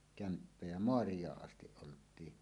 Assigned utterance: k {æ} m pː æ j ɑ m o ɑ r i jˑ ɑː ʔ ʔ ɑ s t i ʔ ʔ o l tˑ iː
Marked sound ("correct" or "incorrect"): correct